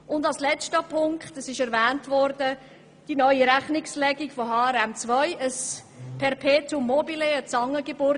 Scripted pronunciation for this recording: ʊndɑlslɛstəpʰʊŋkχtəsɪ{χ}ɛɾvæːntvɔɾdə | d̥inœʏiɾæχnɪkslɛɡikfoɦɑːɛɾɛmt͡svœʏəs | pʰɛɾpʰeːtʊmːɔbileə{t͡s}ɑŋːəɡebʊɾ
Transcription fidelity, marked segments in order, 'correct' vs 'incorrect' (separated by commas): incorrect, correct